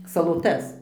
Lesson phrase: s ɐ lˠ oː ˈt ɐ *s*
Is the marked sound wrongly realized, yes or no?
no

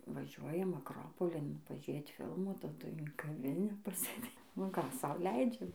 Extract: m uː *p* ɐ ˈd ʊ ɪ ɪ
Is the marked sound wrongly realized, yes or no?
yes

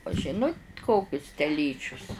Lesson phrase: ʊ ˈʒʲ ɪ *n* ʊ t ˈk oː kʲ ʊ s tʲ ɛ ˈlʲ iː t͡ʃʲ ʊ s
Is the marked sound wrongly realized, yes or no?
no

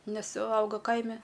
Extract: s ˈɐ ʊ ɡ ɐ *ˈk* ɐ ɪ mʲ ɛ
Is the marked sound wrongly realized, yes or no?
no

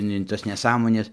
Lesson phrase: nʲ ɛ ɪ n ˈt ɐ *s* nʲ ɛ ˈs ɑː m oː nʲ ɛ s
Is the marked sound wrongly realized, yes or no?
no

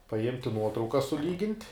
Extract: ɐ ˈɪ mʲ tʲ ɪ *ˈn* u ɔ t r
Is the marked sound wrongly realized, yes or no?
no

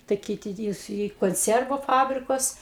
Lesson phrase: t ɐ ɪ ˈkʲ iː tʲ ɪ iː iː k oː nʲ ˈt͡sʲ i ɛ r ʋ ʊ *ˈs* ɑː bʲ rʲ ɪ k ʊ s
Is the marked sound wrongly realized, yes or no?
yes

